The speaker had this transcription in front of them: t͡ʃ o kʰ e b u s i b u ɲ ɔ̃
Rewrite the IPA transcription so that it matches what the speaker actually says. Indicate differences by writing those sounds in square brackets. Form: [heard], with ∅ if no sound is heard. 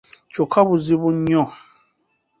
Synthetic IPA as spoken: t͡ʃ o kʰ [a] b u [z] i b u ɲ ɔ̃